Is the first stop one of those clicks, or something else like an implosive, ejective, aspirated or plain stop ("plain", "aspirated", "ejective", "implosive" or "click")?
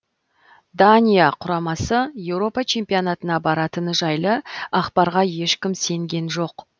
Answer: plain